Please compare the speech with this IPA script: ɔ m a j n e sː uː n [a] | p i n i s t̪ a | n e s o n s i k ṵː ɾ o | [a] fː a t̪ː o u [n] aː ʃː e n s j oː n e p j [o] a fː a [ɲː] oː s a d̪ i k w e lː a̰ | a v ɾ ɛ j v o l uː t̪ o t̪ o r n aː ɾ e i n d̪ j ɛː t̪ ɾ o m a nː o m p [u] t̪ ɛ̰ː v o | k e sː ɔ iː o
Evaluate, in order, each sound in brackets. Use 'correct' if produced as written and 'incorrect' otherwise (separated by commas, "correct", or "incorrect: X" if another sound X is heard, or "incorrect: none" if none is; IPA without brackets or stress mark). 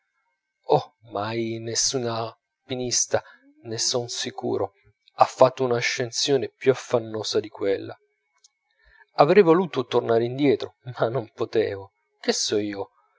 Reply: correct, correct, correct, incorrect: u, incorrect: nː, incorrect: o